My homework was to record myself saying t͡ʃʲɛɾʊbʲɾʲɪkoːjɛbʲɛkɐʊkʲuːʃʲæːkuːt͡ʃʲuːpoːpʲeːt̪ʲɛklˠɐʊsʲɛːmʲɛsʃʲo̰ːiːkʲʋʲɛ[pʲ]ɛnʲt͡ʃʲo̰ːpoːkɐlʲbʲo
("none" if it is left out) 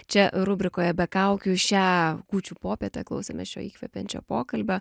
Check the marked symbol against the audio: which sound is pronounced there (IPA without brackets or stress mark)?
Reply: pʲ